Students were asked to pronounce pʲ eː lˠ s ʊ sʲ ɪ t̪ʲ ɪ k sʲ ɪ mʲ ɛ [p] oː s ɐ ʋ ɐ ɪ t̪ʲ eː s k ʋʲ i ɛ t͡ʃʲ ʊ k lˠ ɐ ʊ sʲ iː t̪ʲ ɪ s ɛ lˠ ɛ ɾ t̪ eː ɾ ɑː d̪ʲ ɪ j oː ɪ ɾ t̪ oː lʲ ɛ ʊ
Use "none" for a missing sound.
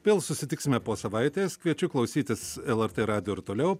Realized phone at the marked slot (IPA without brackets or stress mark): p